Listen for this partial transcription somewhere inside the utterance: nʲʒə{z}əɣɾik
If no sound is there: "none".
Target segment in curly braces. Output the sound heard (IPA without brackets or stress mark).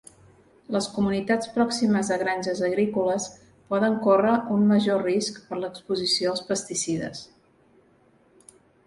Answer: z